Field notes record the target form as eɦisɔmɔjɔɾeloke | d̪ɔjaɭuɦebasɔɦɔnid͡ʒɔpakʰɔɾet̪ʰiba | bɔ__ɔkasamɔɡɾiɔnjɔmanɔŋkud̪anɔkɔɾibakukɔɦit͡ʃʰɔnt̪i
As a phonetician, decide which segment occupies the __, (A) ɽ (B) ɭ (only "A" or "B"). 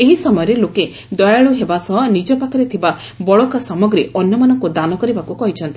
B